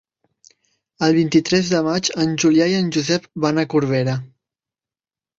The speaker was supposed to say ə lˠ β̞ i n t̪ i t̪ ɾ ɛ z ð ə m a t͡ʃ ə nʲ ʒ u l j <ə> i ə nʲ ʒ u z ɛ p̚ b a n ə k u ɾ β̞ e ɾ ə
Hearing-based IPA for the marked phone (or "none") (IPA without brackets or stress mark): a